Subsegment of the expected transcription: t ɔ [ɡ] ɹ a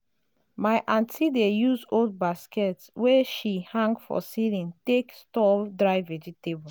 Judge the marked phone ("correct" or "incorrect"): incorrect